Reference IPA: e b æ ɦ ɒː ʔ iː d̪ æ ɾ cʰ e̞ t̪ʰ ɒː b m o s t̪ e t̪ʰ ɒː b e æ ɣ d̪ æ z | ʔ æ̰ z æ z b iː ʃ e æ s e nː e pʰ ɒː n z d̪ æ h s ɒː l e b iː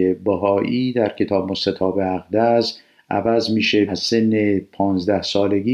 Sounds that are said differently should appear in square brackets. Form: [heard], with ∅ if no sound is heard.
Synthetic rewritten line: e b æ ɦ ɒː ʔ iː d̪ æ ɾ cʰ e̞ t̪ʰ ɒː b m o s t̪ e t̪ʰ ɒː b e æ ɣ d̪ æ z | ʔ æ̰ [v] æ z [m] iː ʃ e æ s e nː e pʰ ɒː n z d̪ æ h s ɒː l e [ɡ] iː